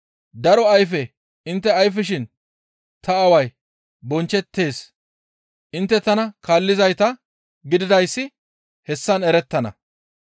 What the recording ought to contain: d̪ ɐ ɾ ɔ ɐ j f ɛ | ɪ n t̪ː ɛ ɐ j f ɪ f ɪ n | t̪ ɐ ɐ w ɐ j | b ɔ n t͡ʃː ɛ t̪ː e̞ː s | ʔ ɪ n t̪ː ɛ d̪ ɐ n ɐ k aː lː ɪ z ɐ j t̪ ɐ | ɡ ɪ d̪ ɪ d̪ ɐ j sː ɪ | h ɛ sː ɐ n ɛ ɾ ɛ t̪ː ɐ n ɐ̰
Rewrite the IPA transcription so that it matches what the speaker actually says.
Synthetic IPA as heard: d̪ ɐ ɾ ɔ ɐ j f ɛ | ɪ n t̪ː ɛ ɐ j f ɪ ʃ ɪ n | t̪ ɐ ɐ w ɐ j | b ɔ n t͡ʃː ɛ t̪ː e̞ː s | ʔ ɪ n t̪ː ɛ t̪ ɐ n ɐ k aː lː ɪ z ɐ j t̪ ɐ | ɡ ɪ d̪ ɪ d̪ ɐ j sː ɪ | h ɛ sː ɐ n ɛ ɾ ɛ t̪ː ɐ n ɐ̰